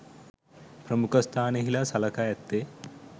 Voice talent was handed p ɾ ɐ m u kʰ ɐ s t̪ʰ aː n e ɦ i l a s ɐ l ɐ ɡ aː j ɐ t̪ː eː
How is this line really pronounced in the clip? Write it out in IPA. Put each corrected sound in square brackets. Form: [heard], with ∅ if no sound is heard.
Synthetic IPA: p ɾ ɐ m u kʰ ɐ s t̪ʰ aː n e ɦ i l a s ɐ l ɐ [k] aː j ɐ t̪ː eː